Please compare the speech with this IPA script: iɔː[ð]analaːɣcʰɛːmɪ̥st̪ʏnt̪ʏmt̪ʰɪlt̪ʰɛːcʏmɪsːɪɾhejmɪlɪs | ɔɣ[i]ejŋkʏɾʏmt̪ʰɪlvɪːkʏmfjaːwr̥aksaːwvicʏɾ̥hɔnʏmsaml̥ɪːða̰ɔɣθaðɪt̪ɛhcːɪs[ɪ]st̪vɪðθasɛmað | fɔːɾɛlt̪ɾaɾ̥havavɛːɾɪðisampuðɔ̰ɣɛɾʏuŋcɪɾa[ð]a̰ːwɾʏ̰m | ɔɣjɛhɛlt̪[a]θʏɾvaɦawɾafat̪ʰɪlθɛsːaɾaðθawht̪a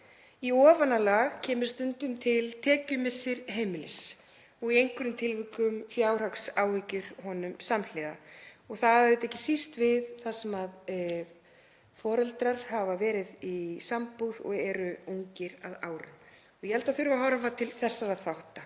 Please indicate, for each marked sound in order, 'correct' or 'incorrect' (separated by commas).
incorrect, correct, incorrect, correct, correct